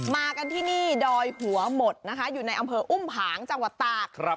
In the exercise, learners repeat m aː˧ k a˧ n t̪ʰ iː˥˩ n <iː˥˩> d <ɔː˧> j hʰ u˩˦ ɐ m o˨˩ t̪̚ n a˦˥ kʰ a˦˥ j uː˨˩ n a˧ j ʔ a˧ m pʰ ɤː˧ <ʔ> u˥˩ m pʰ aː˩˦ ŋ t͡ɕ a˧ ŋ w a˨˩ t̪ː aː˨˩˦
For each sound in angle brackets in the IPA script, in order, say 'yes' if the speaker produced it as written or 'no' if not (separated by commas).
yes, yes, yes